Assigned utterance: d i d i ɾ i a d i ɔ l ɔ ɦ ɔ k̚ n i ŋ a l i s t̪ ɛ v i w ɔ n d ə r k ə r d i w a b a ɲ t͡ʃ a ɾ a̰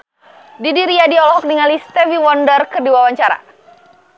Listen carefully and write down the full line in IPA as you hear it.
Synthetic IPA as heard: d i d i ɾ i a d i ɔ l ɔ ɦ ɔ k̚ n i ŋ a l i s t̪ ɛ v i w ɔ n d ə r k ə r d i w a w a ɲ t͡ʃ a ɾ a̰